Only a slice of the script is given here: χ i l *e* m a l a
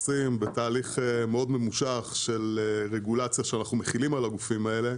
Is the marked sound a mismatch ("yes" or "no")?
yes